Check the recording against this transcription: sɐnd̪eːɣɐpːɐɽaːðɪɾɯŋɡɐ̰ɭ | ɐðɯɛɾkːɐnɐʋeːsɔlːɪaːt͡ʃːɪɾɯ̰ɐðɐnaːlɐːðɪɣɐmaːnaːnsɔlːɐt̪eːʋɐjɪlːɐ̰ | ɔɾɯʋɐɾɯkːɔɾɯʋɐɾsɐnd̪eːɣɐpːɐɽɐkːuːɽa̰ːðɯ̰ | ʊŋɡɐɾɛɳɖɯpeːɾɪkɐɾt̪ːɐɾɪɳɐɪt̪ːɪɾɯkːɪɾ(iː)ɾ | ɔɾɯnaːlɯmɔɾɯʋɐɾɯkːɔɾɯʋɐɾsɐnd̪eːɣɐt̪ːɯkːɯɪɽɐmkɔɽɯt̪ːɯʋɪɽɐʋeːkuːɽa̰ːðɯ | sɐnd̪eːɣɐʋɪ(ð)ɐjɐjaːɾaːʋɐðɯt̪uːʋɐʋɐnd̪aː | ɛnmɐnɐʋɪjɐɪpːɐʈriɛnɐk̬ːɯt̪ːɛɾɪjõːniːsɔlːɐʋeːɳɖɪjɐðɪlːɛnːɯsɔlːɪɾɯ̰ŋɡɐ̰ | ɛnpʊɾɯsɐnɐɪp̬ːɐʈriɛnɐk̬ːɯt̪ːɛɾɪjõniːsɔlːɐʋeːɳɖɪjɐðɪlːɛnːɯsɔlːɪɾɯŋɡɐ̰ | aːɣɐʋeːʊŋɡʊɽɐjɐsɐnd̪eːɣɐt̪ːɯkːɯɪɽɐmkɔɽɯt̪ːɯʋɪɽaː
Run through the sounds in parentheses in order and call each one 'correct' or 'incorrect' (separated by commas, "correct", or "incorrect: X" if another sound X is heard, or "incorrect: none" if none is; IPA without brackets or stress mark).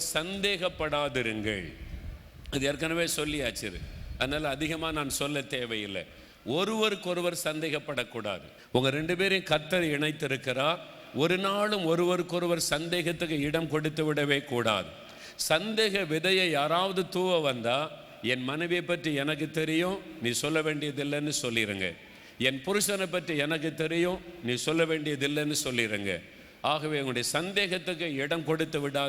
incorrect: aː, correct